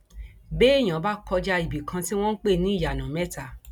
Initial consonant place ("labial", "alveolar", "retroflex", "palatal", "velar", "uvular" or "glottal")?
labial